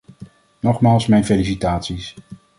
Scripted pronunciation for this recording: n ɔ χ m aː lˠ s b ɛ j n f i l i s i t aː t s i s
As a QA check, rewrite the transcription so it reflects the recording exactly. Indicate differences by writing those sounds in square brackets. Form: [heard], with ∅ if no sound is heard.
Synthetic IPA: n ɔ χ m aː lˠ s [m] ɛ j n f [e] l i s i t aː t s i s